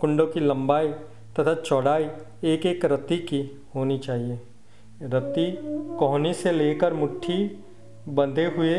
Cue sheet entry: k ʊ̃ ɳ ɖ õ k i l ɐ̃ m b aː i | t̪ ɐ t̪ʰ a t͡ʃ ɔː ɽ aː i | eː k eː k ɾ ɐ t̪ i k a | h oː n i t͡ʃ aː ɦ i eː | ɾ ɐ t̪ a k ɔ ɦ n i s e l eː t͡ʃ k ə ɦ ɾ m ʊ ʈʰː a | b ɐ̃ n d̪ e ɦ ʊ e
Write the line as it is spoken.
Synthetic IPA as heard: k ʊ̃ ɳ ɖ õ k i l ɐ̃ m b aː i | t̪ ɐ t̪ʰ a t͡ʃ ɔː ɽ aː i | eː k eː k ɾ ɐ t̪ i k i | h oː n i t͡ʃ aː ɦ i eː | ɾ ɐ t̪ i k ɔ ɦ n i s e l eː k ə ɾ m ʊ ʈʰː i | b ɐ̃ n d̪ e ɦ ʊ e